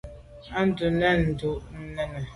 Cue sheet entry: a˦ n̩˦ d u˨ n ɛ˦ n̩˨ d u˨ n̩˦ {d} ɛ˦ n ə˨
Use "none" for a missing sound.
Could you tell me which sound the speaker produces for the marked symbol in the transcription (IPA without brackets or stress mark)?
n